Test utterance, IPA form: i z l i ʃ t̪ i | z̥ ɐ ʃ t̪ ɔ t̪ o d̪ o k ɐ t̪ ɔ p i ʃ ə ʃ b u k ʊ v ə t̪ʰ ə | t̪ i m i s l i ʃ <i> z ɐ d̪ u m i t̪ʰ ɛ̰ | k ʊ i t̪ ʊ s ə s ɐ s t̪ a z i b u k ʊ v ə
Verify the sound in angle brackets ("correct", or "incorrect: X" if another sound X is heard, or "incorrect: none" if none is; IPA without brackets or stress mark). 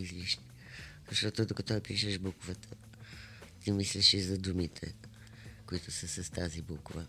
correct